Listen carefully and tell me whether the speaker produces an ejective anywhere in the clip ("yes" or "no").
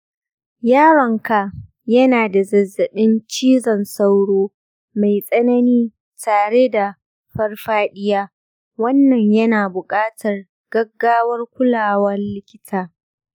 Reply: yes